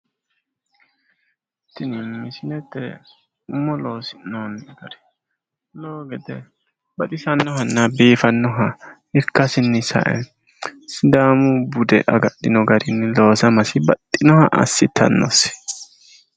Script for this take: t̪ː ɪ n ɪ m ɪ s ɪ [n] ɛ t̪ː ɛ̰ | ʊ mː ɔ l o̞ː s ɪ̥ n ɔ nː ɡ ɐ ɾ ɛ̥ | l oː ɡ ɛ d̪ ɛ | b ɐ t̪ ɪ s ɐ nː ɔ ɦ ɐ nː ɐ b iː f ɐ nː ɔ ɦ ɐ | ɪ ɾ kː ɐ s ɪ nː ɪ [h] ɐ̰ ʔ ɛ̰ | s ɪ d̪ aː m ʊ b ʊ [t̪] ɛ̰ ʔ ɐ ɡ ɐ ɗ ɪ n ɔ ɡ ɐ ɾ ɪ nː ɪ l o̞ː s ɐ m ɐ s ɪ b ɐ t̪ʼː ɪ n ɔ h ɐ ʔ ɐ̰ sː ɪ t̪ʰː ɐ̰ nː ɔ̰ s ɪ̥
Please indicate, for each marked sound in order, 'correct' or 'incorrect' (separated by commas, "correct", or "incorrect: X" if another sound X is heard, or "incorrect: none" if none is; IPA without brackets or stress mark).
correct, incorrect: s, incorrect: d̪